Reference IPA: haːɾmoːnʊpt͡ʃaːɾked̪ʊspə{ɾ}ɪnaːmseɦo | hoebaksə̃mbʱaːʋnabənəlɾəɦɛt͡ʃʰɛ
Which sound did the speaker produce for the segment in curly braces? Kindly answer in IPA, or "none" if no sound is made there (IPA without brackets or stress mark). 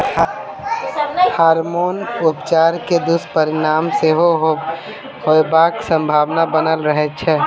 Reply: ɾ